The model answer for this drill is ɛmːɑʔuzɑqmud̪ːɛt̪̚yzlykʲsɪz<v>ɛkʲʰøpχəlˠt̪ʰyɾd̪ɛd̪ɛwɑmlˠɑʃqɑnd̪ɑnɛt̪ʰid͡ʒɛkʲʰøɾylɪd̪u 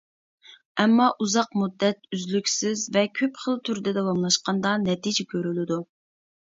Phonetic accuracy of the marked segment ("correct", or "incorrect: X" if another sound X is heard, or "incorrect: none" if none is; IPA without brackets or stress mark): correct